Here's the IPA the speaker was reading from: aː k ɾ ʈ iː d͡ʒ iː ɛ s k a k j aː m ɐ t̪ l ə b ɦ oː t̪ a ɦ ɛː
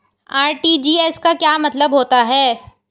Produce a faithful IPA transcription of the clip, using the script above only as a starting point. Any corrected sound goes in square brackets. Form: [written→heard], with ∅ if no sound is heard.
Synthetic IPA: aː [k→∅] ɾ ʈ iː d͡ʒ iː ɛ s k a k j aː m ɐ t̪ l ə b ɦ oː t̪ a ɦ ɛː